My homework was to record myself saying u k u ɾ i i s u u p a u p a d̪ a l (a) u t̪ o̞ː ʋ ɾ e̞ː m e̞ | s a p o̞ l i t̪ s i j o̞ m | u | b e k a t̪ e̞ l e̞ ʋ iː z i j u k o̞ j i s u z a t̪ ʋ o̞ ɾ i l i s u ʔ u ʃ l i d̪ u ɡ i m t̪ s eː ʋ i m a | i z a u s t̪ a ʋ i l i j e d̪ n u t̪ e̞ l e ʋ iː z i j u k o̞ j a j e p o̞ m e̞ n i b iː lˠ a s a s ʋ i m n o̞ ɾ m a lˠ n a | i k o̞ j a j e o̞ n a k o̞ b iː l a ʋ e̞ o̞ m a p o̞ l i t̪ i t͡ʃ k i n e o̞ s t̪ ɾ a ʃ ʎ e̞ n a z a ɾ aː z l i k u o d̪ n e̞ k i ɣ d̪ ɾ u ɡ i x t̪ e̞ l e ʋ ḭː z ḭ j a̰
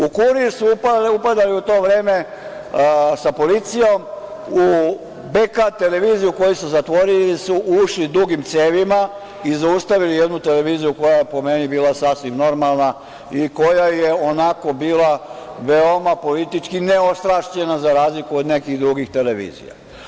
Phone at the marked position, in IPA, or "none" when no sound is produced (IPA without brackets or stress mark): i